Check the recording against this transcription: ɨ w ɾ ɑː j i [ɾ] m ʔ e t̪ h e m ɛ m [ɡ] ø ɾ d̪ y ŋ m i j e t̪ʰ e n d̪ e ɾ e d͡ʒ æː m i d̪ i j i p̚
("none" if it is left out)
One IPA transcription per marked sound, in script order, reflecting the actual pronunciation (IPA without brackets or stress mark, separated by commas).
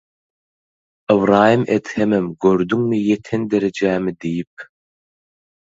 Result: none, ɡ